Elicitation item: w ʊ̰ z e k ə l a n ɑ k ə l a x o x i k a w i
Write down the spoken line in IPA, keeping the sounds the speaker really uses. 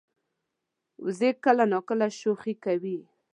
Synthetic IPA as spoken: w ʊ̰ z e k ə l a n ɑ k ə l a ʃ o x i k a w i